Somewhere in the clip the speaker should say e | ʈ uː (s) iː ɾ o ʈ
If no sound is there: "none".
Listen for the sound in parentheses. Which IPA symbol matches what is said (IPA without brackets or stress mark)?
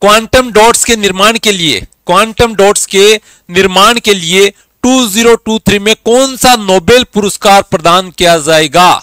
z